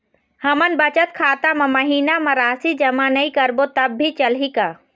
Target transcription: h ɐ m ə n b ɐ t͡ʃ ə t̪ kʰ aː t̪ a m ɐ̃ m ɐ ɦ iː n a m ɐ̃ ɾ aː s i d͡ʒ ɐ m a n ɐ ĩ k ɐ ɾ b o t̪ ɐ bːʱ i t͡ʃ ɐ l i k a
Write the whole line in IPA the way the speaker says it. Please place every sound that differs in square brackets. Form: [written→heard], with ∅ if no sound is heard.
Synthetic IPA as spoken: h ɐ m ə n b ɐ t͡ʃ ə t̪ kʰ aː t̪ a m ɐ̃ m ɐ ɦ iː n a m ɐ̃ ɾ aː s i d͡ʒ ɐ m a n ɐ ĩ k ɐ ɾ b o t̪ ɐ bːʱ i t͡ʃ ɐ l i k a